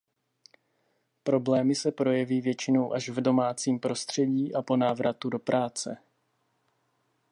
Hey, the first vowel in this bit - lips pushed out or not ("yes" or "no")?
yes